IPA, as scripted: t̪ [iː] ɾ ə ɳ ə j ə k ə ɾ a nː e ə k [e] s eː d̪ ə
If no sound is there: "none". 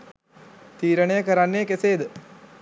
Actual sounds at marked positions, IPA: iː, e

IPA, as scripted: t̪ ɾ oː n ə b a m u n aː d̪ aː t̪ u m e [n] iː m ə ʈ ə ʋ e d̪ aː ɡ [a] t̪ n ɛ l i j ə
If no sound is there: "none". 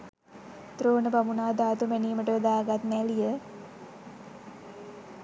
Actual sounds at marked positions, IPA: n, a

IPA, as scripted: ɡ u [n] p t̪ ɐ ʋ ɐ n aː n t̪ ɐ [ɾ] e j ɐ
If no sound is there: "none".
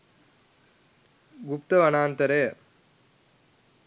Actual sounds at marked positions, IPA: none, ɾ

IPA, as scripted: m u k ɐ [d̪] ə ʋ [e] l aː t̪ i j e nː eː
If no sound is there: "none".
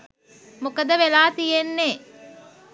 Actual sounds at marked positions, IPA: d̪, e

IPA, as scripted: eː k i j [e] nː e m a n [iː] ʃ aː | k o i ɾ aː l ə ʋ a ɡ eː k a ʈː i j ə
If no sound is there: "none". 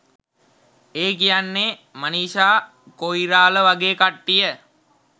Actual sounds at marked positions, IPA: a, iː

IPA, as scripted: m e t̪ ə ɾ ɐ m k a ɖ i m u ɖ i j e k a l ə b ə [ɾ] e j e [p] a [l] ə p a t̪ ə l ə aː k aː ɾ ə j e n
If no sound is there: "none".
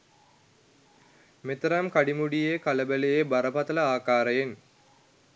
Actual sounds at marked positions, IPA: l, b, ɾ

